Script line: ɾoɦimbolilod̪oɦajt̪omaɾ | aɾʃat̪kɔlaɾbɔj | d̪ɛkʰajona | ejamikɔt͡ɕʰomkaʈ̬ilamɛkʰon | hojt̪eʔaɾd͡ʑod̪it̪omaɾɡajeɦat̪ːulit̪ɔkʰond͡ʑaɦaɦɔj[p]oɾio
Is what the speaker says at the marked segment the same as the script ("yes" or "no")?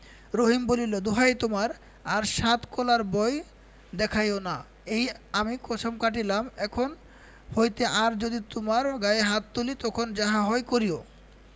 no